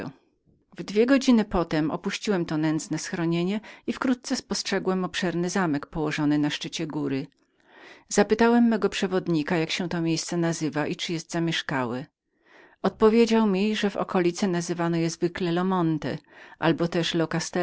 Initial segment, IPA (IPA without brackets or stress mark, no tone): v